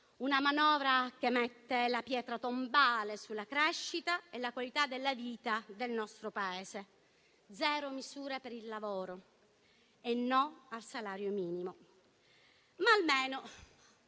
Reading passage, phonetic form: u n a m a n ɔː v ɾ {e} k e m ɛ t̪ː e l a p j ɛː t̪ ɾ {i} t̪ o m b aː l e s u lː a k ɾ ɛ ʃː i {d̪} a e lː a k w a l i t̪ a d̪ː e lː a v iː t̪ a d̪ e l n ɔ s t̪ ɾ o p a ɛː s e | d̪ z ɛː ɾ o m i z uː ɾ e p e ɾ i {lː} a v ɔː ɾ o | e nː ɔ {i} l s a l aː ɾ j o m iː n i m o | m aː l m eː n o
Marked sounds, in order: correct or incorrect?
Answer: incorrect, incorrect, incorrect, correct, incorrect

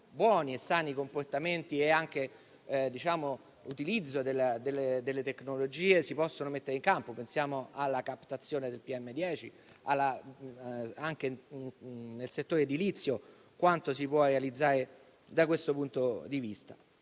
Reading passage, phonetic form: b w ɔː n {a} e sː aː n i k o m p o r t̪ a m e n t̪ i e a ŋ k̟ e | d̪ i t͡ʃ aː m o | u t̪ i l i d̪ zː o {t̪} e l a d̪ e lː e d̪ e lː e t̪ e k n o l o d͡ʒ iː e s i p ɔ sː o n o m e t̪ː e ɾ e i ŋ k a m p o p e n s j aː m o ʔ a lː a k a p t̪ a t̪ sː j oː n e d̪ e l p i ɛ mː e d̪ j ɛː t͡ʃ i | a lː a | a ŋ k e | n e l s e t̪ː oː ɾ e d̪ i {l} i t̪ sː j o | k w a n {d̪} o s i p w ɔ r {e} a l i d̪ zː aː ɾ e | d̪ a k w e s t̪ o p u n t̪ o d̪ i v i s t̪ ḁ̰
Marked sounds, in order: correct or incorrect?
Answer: incorrect, incorrect, correct, incorrect, correct

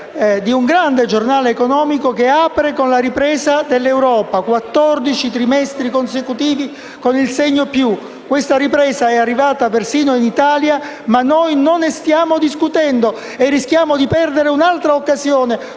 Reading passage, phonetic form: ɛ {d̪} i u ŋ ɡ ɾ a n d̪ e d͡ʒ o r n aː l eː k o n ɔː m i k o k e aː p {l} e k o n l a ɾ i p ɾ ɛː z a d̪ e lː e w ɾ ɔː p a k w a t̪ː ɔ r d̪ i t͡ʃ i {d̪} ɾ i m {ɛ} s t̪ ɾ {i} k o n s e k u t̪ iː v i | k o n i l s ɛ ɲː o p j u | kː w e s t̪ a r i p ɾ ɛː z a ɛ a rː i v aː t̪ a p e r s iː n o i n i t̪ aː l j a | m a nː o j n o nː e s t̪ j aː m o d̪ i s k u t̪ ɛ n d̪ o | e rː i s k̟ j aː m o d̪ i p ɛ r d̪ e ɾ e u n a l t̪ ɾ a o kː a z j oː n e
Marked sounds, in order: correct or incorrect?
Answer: correct, incorrect, incorrect, correct, correct

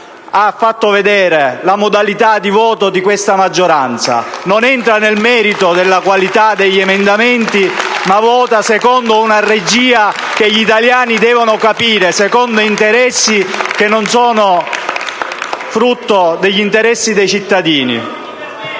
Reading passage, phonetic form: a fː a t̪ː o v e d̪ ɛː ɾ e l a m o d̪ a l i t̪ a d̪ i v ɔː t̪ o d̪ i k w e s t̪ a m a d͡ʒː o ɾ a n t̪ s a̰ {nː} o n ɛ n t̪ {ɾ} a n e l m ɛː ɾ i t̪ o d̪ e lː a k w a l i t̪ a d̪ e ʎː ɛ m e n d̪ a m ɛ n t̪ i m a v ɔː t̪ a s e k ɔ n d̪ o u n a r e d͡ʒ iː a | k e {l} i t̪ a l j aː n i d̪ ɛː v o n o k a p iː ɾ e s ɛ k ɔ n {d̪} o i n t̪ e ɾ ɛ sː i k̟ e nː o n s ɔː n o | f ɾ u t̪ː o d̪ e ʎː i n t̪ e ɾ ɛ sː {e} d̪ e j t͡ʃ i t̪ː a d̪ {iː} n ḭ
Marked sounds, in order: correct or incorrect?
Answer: incorrect, correct, incorrect, correct, incorrect, correct

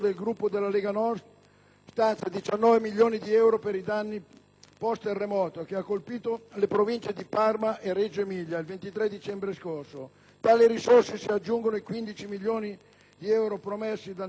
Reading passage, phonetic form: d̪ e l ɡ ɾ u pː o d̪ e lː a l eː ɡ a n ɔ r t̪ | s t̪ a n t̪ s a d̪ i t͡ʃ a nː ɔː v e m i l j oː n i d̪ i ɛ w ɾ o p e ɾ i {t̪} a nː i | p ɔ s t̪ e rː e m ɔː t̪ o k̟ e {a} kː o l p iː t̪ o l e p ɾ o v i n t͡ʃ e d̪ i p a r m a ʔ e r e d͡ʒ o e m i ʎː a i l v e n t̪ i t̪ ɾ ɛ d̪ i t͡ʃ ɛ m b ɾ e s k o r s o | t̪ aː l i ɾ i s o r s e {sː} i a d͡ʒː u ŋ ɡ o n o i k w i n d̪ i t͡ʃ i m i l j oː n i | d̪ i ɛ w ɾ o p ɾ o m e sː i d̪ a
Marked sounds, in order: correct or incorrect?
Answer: incorrect, correct, incorrect

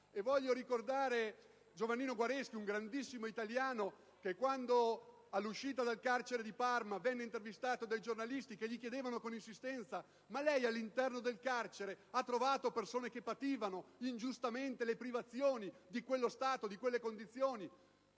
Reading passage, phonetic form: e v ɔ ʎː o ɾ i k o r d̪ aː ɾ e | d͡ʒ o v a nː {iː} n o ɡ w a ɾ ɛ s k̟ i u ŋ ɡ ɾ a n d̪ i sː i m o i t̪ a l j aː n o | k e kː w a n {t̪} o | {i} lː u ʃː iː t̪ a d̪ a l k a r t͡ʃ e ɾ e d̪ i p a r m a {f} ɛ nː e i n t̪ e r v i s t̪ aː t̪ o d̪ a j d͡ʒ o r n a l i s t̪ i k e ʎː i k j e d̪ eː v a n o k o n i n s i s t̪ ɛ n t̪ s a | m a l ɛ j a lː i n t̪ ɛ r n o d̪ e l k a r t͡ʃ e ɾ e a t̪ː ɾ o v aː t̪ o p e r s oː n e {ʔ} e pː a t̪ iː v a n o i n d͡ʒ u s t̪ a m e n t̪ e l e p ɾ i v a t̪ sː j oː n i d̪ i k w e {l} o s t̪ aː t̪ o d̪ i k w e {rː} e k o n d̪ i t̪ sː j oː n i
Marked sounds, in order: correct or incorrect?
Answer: correct, incorrect, incorrect, incorrect, incorrect, incorrect, incorrect

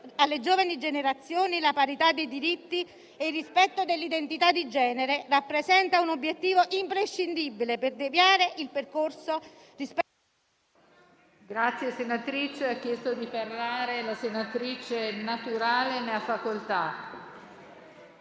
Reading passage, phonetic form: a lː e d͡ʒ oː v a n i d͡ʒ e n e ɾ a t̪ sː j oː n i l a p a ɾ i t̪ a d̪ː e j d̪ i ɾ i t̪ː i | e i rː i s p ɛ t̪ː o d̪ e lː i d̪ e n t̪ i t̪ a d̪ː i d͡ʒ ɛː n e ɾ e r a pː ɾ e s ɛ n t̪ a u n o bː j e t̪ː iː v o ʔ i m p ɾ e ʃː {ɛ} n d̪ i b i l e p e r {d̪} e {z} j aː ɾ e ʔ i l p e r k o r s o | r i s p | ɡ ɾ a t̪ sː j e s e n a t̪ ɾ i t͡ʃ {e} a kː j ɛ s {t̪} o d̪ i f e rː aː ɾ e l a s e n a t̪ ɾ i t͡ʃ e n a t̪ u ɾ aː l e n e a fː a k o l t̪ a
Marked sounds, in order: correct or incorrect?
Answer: incorrect, correct, incorrect, correct, correct

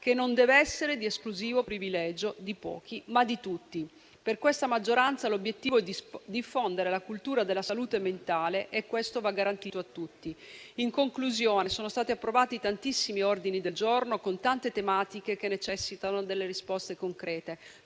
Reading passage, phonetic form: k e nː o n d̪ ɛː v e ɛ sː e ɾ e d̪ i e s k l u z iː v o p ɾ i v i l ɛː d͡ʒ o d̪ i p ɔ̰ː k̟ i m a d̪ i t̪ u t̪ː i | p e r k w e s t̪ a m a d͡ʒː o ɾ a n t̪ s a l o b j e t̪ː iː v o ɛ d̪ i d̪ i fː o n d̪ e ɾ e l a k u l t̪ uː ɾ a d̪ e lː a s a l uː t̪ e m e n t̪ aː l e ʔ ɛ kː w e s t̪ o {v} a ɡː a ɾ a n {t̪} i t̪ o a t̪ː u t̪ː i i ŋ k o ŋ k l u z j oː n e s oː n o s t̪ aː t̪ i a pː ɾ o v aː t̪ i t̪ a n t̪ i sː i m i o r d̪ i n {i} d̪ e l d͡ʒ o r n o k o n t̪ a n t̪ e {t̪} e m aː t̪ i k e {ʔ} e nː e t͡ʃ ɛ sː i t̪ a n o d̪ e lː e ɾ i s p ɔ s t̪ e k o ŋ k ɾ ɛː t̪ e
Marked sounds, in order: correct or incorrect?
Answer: correct, correct, correct, correct, incorrect

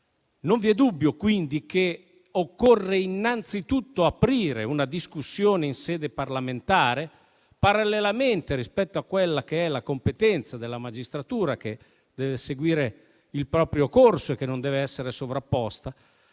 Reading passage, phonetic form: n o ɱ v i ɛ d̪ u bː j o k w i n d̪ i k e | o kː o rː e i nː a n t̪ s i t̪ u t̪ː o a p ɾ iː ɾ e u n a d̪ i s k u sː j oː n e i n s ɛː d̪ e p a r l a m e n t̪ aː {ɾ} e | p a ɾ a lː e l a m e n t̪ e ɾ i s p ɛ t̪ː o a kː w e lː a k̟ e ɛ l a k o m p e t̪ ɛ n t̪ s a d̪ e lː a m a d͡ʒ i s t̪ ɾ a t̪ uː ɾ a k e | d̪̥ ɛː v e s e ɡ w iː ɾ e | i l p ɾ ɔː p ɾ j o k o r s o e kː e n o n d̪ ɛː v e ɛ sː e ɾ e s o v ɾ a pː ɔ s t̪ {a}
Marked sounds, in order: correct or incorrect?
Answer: correct, correct

